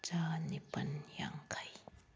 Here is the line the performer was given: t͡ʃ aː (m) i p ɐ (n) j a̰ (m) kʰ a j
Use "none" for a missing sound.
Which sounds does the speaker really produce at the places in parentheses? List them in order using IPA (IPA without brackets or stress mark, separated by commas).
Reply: n, n, ŋ